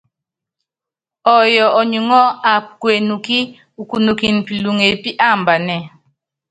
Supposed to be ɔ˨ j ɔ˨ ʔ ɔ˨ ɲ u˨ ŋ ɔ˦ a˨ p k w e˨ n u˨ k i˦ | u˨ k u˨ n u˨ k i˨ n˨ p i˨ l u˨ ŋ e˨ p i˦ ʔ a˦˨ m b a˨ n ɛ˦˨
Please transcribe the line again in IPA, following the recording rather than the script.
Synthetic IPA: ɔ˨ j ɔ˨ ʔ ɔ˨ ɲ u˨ ŋ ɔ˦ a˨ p k w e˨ n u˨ k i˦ | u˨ k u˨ n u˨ k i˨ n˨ p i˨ l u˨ ŋ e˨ p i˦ ʔ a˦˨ m b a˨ n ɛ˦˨